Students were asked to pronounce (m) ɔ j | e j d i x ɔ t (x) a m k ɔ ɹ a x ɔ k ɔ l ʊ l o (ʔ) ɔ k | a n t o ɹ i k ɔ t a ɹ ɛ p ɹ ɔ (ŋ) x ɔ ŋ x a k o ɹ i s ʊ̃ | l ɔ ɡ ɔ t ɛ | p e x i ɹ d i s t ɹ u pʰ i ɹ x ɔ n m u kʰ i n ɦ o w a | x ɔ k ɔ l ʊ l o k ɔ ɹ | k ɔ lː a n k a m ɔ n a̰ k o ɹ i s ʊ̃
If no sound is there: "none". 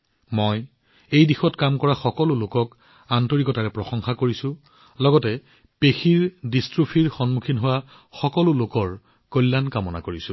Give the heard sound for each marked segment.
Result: m, k, k, none

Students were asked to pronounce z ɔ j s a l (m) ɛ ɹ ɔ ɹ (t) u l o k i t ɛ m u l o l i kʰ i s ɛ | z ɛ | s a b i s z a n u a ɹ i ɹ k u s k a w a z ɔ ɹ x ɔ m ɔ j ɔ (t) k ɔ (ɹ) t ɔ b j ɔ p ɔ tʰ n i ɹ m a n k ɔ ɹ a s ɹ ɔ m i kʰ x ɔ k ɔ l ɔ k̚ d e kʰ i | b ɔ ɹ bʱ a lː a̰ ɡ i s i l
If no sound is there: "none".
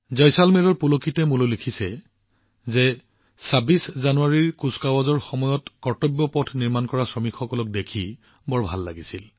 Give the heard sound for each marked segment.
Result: m, p, t, ɹ

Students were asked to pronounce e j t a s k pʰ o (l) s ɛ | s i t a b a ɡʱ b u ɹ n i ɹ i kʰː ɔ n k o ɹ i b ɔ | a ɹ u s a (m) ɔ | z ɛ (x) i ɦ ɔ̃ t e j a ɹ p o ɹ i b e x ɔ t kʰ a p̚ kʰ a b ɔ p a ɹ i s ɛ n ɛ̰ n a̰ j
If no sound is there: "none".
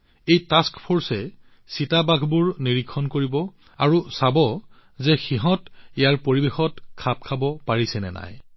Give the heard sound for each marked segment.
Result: ɹ, b, x

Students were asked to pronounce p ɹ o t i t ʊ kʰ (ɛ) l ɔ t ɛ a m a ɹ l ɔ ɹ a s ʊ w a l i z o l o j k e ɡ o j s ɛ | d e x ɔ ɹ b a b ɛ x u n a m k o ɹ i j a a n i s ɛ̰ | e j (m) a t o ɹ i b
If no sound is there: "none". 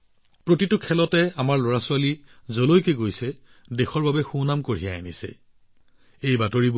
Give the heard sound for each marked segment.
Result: ɛ, b

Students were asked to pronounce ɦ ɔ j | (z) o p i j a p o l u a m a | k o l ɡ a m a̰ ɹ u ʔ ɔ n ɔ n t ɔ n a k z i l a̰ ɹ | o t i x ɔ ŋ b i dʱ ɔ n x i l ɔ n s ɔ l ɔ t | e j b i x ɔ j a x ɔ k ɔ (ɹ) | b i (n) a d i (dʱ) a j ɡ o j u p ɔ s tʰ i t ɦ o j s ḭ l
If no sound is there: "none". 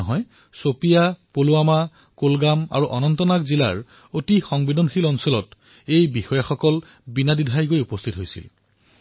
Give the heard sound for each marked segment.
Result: s, l, n, dʱ

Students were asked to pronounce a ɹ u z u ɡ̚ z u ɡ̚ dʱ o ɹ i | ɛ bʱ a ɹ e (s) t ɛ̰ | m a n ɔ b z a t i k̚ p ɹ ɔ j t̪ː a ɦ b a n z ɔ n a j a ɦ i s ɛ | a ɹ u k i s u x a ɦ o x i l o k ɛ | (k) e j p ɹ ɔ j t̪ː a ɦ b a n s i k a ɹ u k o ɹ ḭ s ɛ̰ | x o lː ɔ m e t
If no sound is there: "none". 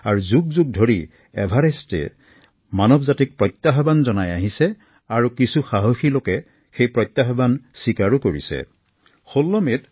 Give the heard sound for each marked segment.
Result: s, x

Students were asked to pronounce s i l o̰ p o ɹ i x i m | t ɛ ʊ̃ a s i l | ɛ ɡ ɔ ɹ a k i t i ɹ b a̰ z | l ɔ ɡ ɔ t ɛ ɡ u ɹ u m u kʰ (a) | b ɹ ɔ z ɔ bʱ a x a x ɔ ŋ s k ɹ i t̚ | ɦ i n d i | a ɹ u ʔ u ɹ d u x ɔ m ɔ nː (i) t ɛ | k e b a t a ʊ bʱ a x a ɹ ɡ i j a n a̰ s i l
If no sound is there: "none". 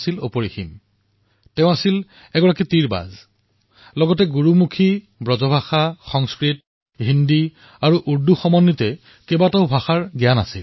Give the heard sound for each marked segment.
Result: i, i

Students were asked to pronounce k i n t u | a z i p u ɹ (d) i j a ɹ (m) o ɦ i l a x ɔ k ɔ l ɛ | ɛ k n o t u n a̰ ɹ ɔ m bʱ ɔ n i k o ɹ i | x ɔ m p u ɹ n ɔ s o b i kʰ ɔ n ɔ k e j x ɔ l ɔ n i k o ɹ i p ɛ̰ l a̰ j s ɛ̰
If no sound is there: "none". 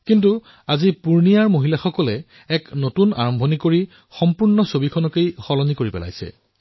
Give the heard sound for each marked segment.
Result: n, m

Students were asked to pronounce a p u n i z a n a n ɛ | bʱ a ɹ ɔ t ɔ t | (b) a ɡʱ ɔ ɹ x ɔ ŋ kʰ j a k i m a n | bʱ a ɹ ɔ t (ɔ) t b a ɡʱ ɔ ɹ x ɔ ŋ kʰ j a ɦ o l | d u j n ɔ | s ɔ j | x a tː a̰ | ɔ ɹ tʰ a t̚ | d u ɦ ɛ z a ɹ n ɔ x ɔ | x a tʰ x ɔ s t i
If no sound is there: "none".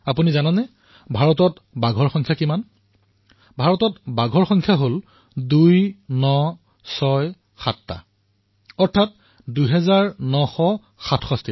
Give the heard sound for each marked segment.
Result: b, ɔ

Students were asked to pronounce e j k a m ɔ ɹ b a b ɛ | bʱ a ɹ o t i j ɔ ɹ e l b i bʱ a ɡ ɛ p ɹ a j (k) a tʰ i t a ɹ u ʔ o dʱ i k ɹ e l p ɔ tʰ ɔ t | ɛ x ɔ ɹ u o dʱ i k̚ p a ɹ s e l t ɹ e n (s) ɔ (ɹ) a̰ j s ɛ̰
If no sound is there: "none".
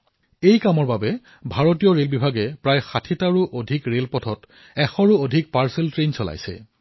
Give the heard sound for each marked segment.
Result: x, s, l

